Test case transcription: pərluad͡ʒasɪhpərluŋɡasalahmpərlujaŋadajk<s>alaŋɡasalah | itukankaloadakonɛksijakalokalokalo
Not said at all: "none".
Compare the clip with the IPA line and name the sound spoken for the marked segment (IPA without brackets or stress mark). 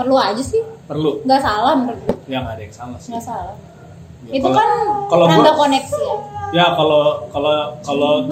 s